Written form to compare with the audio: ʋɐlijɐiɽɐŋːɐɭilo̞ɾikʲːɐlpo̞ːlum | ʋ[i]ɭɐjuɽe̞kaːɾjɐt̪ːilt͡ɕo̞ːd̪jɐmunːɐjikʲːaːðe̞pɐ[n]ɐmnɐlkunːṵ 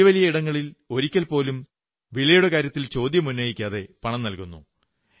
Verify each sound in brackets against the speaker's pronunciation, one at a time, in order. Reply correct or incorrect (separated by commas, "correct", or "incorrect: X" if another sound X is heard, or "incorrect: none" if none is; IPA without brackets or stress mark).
correct, incorrect: ɳ